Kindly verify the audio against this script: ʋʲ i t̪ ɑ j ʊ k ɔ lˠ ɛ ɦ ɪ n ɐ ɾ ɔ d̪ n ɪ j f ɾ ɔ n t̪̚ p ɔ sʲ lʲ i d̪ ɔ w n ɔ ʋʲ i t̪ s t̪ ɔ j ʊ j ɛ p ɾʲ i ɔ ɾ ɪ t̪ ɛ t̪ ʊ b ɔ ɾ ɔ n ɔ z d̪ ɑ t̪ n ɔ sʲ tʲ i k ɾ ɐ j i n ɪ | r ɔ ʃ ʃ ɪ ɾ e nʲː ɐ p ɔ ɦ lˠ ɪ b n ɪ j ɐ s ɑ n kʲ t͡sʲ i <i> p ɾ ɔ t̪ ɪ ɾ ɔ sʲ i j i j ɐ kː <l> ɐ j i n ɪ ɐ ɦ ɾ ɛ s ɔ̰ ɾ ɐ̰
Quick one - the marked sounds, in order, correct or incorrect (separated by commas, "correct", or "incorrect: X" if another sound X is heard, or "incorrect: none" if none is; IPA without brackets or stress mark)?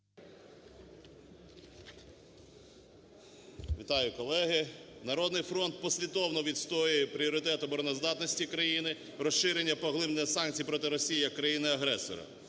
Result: incorrect: j, incorrect: ɾ